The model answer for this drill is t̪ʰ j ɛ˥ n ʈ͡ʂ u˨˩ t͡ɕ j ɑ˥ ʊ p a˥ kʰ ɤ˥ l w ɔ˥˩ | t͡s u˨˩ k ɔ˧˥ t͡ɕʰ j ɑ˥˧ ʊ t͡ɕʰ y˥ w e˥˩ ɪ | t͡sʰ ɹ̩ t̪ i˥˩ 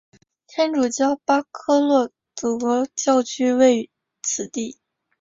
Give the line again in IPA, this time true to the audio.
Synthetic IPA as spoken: t̪ʰ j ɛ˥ n ʈ͡ʂ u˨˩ t͡ɕ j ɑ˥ ʊ p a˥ kʰ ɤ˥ l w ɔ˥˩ | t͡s u˨˩ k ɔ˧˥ t͡ɕ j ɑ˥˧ ʊ t͡ɕʰ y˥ w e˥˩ ɪ | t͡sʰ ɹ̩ t̪ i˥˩